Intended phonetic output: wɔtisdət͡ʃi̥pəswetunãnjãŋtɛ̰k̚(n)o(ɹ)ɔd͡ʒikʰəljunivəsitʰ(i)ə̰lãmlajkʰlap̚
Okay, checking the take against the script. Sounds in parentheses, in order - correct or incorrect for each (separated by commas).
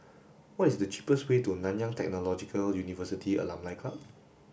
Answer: correct, incorrect, correct